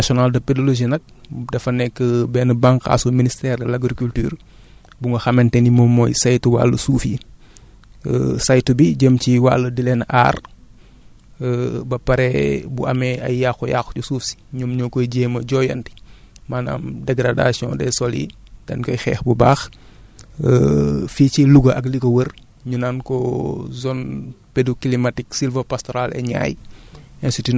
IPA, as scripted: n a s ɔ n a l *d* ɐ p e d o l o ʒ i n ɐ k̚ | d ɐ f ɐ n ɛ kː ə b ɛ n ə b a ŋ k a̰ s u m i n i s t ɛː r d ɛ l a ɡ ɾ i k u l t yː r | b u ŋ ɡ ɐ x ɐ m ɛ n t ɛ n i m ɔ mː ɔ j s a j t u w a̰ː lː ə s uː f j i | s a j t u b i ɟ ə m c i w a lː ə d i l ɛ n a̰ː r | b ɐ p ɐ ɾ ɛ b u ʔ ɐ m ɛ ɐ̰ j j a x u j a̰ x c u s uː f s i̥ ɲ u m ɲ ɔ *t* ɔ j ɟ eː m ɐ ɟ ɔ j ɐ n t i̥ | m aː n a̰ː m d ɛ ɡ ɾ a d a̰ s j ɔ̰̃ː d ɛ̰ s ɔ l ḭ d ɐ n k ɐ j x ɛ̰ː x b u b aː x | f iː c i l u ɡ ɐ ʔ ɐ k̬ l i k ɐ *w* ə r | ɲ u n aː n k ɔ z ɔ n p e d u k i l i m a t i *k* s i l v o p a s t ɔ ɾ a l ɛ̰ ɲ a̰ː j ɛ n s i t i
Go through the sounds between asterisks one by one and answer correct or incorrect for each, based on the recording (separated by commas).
correct, incorrect, correct, correct